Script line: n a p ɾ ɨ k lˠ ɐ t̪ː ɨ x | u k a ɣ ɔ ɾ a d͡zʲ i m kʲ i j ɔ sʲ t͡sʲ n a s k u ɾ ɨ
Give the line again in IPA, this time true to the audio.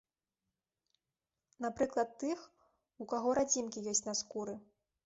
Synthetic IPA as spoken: n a p ɾ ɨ k lˠ ɐ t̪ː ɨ x | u k a ɣ ɔ ɾ a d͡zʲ i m kʲ i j ɔ sʲ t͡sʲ n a s k u ɾ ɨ